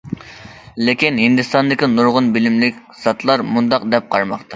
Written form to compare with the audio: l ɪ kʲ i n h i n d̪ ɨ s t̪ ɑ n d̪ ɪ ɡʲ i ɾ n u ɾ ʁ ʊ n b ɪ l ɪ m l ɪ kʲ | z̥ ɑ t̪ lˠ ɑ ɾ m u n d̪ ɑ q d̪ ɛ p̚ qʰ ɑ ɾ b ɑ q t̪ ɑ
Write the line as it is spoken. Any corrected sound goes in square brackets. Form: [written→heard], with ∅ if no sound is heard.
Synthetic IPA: l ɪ kʲ i n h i n d̪ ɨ s t̪ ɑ n d̪ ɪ [ɡʲ→kʲ] i [ɾ→∅] n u ɾ ʁ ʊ n b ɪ l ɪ m l ɪ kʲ | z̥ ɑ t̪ lˠ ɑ ɾ m u n d̪ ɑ q d̪ ɛ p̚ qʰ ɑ ɾ [b→m] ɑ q t̪ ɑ